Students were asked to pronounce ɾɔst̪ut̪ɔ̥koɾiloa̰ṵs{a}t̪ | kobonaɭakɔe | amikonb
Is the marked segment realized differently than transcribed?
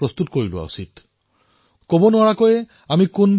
yes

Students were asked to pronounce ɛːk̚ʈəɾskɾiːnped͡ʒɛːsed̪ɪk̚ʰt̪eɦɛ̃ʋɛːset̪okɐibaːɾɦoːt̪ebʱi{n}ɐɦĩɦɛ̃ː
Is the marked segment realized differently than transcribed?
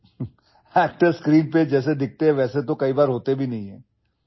no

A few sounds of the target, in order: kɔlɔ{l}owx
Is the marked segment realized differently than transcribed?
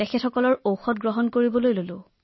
yes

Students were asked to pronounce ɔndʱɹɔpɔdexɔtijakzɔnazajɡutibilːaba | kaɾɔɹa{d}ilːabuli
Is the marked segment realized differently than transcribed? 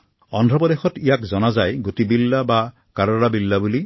yes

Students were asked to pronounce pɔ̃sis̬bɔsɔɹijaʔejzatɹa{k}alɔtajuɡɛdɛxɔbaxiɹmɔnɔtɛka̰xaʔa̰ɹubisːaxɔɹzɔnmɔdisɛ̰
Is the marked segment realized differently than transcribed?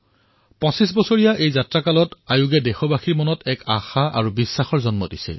no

